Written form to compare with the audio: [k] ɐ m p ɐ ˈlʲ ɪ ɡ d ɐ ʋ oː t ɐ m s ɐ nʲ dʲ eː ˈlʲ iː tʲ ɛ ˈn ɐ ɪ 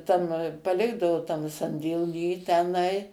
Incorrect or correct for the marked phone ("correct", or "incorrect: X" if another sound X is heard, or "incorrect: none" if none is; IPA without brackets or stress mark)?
incorrect: t